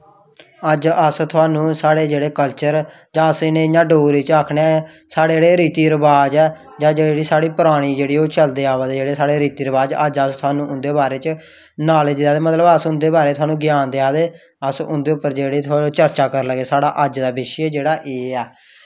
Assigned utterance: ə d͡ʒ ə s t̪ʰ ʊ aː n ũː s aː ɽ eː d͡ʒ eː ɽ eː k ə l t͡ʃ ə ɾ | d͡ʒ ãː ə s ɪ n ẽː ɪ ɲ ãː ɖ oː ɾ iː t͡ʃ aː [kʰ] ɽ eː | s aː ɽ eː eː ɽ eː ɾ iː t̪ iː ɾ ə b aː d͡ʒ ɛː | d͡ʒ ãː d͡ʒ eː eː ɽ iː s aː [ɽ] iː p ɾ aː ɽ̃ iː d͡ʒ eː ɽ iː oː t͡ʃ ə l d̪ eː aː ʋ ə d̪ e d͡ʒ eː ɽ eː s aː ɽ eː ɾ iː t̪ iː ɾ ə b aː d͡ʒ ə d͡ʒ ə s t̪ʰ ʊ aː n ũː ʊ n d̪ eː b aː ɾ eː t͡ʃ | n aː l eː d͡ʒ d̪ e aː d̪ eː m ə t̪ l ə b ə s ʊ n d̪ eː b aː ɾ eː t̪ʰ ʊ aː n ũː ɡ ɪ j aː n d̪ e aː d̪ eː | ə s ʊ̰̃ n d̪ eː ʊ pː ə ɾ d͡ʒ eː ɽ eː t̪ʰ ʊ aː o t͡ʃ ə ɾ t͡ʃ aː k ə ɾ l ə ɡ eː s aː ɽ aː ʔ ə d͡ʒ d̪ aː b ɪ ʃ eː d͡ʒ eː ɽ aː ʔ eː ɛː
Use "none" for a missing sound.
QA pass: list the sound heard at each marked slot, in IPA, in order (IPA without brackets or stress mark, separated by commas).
kʰ, ɽ